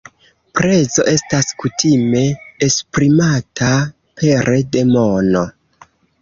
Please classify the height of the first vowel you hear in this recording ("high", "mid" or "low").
mid